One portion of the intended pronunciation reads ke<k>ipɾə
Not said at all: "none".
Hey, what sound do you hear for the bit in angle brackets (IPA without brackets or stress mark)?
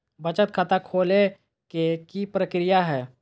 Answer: k